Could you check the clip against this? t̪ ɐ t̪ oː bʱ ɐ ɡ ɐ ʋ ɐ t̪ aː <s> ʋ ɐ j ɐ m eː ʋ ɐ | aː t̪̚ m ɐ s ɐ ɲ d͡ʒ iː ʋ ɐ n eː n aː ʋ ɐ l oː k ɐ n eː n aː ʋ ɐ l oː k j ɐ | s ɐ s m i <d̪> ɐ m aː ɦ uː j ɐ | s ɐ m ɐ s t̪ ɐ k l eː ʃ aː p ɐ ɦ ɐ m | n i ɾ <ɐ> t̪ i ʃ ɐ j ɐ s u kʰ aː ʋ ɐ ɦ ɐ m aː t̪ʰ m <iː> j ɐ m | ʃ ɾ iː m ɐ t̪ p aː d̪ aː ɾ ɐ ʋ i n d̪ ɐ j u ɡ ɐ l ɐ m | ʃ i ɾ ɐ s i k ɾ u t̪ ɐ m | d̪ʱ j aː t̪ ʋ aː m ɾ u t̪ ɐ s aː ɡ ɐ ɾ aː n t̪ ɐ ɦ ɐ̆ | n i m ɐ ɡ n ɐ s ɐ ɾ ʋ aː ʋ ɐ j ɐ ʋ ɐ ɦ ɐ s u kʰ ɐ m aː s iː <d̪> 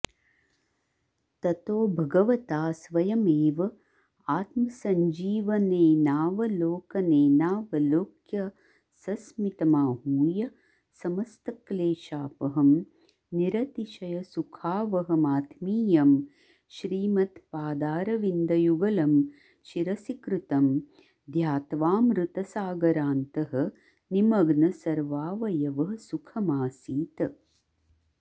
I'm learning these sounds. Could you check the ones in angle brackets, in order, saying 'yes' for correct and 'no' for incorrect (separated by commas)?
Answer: yes, no, yes, yes, no